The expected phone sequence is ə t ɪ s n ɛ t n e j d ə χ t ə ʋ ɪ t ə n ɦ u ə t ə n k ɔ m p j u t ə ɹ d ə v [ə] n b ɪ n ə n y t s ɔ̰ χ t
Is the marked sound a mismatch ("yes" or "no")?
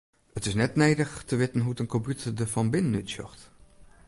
yes